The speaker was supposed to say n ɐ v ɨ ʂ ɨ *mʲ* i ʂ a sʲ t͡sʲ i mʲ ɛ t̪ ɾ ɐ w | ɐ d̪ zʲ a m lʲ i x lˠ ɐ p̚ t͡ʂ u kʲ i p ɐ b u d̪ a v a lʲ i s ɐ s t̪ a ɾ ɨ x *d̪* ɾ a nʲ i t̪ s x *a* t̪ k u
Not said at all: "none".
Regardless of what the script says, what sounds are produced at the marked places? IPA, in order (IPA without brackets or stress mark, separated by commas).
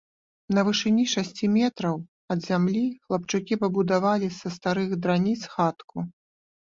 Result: nʲ, d̪, a